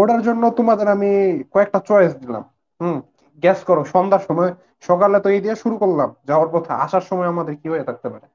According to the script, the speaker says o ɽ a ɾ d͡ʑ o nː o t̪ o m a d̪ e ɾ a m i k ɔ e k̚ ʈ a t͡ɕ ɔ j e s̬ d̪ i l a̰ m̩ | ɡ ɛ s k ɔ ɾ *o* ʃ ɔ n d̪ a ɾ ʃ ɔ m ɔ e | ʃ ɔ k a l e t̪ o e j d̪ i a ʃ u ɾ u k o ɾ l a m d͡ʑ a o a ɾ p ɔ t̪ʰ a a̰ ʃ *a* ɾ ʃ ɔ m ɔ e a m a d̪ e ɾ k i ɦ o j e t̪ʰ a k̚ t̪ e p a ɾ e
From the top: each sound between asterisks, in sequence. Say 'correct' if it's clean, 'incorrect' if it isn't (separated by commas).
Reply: correct, correct